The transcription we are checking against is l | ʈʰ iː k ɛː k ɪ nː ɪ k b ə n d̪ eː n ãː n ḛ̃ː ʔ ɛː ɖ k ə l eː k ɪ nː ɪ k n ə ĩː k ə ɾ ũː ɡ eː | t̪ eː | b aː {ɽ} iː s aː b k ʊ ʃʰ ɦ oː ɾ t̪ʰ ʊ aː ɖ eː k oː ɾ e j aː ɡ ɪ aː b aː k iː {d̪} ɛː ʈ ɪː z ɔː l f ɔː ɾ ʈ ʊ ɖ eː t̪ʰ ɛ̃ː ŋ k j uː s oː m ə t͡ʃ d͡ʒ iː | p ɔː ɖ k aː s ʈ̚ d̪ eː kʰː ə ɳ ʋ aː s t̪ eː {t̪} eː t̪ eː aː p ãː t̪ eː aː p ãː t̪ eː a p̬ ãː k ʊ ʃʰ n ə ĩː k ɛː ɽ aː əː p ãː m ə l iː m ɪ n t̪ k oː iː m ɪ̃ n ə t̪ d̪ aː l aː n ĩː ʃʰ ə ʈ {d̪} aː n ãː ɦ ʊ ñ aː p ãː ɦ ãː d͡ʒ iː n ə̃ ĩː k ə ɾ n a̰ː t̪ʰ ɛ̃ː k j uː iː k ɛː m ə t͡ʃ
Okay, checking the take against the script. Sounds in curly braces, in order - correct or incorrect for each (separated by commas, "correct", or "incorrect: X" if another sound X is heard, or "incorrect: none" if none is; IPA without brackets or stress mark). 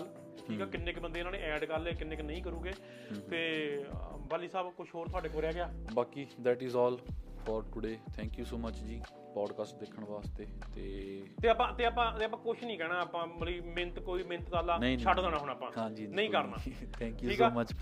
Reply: incorrect: l, correct, correct, correct